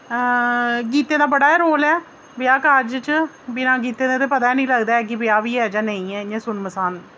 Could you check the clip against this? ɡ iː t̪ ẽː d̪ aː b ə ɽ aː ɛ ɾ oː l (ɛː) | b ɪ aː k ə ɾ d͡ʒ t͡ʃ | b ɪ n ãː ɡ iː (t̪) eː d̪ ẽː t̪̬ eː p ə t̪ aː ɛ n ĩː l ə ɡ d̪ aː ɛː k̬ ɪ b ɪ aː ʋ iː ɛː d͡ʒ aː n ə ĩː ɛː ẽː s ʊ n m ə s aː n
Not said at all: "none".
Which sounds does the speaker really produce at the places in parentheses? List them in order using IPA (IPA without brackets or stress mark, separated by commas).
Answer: ɛː, t̪